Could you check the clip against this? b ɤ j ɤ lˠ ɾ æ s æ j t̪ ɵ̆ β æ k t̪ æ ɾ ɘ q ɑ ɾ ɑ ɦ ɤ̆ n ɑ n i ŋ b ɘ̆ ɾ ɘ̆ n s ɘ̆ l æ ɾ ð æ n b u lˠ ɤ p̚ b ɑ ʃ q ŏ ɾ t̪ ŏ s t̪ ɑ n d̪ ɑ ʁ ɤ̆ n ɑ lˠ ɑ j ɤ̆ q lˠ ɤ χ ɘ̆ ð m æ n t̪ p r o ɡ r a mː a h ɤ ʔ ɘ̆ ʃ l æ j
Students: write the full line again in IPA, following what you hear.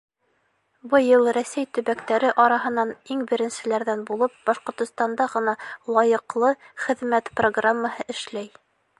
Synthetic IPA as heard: b ɤ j ɤ lˠ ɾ æ s æ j t̪ ɵ̆ β æ k t̪ æ ɾ ɘ ʔ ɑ ɾ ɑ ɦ ɤ̆ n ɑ n i ŋ b ɘ̆ ɾ ɘ̆ n s ɘ̆ l æ ɾ ð æ n b u lˠ ɤ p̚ b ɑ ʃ q ŏ ɾ t̪ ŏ s t̪ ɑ n d̪ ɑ ʁ ɤ̆ n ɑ lˠ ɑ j ɤ̆ q lˠ ɤ χ ɘ̆ ð m æ t̪ p r o ɡ r a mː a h ɤ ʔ ɘ̆ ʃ l æ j